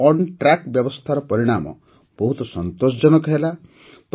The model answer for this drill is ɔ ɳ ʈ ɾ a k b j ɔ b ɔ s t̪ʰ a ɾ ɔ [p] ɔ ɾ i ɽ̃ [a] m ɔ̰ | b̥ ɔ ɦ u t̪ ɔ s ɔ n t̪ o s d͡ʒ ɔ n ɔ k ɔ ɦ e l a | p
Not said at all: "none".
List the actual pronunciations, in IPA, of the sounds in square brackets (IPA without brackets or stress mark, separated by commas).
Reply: p, a